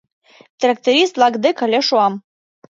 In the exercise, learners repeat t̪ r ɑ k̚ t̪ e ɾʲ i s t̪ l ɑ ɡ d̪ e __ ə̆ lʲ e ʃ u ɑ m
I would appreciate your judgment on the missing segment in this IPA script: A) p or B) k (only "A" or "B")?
B